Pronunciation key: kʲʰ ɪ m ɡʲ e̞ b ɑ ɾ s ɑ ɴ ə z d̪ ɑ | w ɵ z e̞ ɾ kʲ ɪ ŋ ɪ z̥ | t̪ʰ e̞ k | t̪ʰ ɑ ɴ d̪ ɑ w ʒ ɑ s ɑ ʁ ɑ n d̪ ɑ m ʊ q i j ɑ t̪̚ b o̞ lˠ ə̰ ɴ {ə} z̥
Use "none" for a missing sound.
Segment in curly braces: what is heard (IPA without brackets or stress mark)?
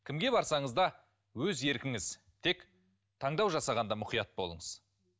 ə